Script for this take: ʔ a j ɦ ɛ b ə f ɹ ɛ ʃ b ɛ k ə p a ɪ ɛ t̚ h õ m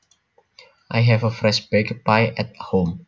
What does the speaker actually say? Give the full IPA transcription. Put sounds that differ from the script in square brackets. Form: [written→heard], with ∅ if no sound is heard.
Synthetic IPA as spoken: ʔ a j ɦ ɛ [b→v] ə f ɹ ɛ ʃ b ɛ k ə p a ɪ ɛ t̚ h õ m